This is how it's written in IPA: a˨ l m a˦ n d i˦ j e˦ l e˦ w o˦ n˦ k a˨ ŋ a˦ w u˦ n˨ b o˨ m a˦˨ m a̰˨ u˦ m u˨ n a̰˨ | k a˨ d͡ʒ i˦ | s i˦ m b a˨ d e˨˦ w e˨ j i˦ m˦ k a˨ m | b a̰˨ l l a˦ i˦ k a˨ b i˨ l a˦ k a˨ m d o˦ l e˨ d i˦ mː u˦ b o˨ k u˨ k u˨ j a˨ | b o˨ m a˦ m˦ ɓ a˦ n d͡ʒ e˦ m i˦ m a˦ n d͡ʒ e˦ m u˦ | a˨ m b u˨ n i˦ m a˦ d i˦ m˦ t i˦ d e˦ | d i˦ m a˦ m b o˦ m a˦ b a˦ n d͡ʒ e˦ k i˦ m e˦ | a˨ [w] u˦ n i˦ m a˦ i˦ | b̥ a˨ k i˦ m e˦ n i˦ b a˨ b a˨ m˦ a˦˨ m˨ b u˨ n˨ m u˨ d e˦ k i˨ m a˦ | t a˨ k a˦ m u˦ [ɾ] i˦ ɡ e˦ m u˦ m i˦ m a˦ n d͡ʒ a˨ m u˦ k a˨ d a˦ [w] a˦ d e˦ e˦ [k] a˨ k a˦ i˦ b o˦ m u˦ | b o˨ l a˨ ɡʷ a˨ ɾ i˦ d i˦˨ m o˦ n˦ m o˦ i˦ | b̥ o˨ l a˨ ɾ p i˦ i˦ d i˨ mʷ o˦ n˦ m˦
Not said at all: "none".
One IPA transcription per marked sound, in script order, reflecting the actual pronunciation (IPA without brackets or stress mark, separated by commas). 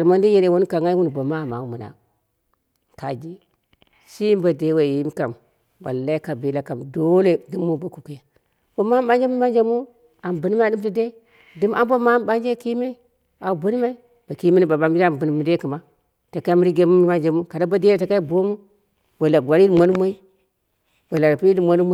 b, ɾ, b, t